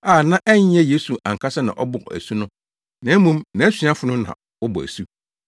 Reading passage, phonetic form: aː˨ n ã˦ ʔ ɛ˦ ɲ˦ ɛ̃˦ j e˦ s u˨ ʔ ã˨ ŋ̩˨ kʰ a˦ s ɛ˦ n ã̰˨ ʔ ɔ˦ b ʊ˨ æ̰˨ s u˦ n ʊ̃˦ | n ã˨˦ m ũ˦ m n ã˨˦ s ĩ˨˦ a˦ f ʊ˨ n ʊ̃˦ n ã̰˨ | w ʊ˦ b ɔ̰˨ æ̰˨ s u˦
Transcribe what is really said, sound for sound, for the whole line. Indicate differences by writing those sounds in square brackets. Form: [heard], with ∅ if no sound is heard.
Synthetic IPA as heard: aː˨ n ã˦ ʔ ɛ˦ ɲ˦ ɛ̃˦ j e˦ s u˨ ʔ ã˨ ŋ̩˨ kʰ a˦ s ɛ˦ n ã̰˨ ʔ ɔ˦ b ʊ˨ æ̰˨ s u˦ n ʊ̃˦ | n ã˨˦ m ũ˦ m n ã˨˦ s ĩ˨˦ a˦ f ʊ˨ n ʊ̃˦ n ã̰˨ | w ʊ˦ b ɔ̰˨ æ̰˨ s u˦